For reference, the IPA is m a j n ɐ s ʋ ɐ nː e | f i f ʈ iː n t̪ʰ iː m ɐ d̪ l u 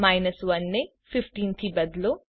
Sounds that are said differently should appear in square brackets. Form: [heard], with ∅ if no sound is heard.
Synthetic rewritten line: m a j n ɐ s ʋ ɐ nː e | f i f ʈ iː n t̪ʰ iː [b] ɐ d̪ l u